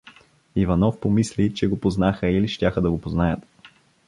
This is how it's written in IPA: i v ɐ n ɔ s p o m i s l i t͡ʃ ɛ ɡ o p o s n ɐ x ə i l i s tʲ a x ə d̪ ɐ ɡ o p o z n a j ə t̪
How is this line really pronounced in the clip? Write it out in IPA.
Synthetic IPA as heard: i v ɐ n ɔ f p o m i s l i t͡ʃ ɛ ɡ o p o z n a x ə i l i ʃ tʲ a x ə d̪ ɐ ɡ o p o z n a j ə t̪